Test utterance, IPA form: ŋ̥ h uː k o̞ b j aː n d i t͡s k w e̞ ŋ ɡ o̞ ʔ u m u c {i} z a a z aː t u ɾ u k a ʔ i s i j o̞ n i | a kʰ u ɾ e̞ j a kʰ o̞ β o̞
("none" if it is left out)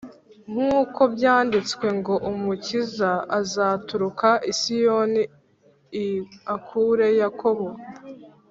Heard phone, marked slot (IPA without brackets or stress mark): i